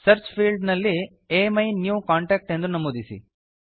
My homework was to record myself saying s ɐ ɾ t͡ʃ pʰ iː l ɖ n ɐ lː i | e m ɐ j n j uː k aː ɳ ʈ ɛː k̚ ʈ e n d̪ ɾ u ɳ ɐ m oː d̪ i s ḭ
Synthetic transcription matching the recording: s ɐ ɾ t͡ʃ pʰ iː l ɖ n ɐ lː i | e m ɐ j n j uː k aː ɳ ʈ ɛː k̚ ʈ e n d̪ ɾ u n ɐ m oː d̪ i s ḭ